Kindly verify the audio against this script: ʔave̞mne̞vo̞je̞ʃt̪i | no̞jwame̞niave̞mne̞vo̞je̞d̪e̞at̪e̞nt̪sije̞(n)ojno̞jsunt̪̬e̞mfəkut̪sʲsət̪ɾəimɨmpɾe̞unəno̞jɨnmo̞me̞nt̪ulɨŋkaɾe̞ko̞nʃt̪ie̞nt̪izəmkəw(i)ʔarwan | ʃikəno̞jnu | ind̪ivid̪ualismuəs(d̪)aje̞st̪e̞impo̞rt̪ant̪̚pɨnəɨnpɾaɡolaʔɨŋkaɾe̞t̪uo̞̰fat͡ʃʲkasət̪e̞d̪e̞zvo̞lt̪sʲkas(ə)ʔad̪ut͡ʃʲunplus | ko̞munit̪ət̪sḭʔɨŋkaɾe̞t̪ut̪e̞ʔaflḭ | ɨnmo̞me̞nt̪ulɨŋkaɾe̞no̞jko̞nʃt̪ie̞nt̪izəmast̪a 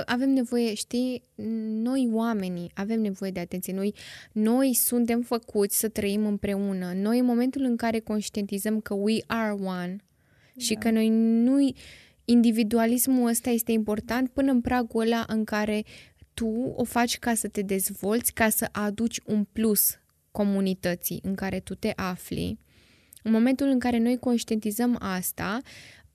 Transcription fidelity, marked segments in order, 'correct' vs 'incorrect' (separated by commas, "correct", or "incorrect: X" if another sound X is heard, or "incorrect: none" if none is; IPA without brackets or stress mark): correct, correct, incorrect: t̪, correct